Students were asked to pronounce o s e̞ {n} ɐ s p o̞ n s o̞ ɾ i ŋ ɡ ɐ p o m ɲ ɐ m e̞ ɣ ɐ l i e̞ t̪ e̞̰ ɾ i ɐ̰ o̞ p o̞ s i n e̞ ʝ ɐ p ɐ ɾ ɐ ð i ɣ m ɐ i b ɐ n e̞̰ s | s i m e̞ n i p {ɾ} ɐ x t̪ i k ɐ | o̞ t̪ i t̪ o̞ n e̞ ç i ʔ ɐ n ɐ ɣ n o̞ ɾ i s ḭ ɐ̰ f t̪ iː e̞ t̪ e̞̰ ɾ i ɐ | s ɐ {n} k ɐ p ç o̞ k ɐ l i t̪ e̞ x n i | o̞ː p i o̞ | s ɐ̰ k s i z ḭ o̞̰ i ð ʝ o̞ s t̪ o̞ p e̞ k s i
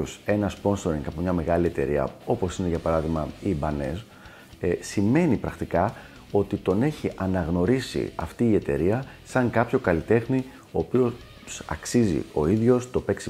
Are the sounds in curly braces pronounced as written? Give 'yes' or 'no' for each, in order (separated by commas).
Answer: yes, yes, no